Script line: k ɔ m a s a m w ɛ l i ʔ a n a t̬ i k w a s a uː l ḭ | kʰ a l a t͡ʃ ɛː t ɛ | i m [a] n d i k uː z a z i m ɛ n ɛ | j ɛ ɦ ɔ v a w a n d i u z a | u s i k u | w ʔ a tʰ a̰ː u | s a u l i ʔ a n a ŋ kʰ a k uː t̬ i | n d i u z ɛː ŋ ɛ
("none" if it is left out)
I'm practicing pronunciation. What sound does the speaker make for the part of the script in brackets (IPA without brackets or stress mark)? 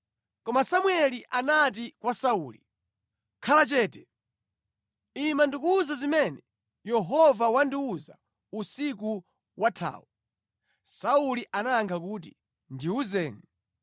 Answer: a